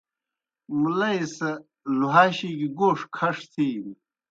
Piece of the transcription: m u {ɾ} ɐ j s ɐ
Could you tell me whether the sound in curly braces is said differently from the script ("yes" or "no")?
yes